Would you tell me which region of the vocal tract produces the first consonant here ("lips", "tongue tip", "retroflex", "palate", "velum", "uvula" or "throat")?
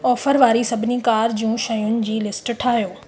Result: lips